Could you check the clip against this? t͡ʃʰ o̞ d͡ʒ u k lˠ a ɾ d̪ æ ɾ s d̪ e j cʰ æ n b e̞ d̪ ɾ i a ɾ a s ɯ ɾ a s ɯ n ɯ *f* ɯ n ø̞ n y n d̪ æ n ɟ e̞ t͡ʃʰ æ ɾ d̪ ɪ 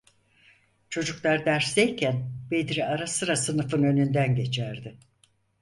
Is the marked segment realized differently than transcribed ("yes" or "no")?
no